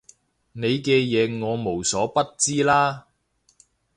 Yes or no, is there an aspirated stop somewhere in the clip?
no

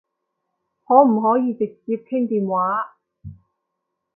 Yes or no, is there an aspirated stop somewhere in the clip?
yes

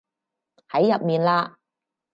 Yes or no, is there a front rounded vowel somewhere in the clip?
no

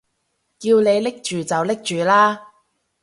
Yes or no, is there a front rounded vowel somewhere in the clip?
yes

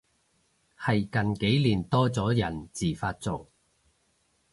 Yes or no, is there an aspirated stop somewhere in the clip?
no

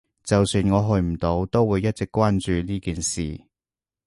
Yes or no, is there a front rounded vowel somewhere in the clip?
yes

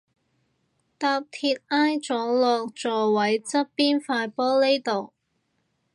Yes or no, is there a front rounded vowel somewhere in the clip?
no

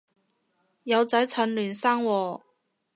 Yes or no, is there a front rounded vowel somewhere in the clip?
yes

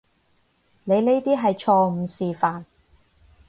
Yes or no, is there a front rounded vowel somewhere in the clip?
no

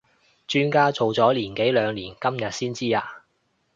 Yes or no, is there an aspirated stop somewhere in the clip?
no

